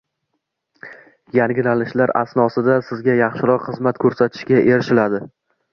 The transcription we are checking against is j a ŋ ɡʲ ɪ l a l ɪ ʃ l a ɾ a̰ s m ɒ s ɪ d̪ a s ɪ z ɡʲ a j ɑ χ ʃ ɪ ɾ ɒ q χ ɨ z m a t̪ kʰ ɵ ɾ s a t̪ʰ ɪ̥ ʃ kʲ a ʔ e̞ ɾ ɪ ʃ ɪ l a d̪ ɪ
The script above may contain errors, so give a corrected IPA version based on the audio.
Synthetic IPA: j a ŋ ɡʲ ɪ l a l ɪ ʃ l a ɾ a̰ s n ɒ s ɪ d̪ a s ɪ z ɡʲ a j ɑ χ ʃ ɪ ɾ ɒ q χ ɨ z m a t̪ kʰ ɵ ɾ s a t̪ʰ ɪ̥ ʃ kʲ a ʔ e̞ ɾ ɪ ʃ ɪ l a d̪ ɪ

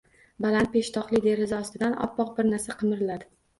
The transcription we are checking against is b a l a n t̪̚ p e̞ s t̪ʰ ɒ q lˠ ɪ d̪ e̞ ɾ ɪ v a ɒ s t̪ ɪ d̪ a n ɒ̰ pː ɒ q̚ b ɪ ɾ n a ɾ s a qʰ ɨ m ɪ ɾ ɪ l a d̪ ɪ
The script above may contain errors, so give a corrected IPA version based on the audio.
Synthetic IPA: b a l a n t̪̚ p e̞ ʃ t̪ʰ ɒ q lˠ ɪ d̪ e̞ ɾ ɪ z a ɒ s t̪ ɪ d̪ a n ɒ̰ pː ɒ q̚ b ɪ ɾ n a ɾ s a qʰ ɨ m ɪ ɾ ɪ l a d̪ ɪ

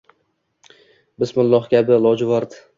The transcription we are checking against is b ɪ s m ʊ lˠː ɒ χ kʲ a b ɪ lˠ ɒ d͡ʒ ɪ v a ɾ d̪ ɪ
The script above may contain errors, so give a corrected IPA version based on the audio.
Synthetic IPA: b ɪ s m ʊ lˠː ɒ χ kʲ a b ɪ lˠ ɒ d͡ʒ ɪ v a ɾ d̪ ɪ

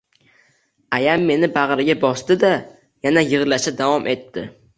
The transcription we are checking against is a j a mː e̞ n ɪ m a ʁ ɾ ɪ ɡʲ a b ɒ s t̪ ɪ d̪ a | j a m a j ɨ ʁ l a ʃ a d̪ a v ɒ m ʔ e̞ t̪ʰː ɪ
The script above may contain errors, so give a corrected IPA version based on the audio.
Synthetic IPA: a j a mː e̞ n ɪ b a ʁ ɾ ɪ ɡʲ a b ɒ s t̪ ɪ d̪ a | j a n a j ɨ ʁ l a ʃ a d̪ a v ɒ m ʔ e̞ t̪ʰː ɪ

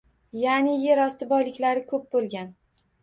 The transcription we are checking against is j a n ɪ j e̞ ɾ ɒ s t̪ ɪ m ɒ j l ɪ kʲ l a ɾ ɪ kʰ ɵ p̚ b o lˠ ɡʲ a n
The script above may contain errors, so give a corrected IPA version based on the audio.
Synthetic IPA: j a n ɪ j e̞ ɾ ɒ s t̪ ɪ b ɒ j l ɪ kʲ l a ɾ ɪ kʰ ɵ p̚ b o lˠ ɡʲ a n

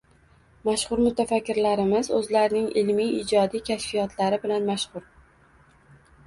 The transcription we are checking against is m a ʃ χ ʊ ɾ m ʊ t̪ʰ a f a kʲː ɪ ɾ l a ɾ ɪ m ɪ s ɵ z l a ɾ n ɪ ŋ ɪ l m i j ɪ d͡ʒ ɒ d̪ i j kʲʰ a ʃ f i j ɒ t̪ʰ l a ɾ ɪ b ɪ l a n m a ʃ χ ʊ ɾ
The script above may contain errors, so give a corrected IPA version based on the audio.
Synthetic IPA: m a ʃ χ ʊ ɾ m ʊ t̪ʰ a f a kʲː ɪ ɾ l a ɾ ɪ m ɪ z ɵ z l a ɾ n ɪ ŋ ɪ l m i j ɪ d͡ʒ ɒ d̪ i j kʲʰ a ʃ f i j ɒ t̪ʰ l a ɾ ɪ b ɪ l a n m a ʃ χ ʊ ɾ

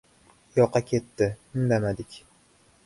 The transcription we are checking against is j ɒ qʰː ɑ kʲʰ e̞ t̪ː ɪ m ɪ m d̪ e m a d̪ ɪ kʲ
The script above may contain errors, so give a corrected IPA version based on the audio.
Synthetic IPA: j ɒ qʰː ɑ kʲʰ e̞ t̪ː ɪ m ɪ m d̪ a m a d̪ ɪ kʲ

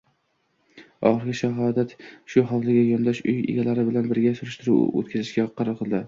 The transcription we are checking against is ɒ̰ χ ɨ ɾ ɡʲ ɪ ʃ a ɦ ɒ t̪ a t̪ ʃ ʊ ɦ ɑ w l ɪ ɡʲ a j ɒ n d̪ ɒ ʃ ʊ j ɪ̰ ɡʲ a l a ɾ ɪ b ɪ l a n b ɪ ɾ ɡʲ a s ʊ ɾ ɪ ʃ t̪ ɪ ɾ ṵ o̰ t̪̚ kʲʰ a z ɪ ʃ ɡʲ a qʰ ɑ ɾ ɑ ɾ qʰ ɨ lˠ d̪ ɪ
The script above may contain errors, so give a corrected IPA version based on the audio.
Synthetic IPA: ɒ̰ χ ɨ ɾ ɡʲ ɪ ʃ a ɦ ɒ d̪ a t̪ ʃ ʊ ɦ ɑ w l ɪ ɡʲ a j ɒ n d̪ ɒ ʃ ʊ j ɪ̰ ɡʲ a l a ɾ ɪ b ɪ l a n b ɪ ɾ ɡʲ a s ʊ ɾ ɪ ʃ t̪ ɪ ɾ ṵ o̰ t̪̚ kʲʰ a z ɪ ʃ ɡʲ a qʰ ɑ ɾ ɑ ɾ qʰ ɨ lˠ d̪ ɪ

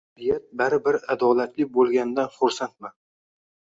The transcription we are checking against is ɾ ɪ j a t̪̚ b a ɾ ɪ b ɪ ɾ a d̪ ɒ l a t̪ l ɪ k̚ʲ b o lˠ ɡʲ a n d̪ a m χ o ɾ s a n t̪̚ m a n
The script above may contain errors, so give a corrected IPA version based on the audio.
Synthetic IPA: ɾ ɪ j a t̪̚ b a ɾ ɪ b ɪ ɾ a d̪ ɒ l a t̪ l ɪ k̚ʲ b o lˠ ɡʲ a n d̪ a n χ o ɾ s a n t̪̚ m a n

